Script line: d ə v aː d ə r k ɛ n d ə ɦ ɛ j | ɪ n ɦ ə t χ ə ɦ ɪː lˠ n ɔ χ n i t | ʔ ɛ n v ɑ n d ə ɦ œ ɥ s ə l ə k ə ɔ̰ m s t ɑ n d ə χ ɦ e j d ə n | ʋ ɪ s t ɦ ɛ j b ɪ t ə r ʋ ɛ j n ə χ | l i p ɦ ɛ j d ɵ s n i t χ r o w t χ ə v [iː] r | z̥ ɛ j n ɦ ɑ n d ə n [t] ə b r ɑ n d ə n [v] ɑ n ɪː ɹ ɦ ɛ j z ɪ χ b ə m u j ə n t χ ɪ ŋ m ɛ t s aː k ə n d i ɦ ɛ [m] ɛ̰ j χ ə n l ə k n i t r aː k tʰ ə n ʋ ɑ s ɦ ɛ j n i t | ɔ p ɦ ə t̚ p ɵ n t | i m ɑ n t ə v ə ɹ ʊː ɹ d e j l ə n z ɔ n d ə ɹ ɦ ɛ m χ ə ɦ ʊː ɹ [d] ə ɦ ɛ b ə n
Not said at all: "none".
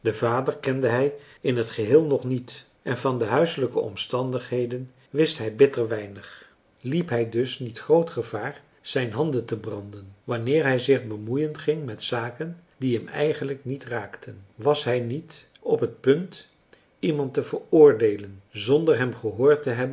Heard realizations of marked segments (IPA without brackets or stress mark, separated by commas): aː, t, ʋ, m, t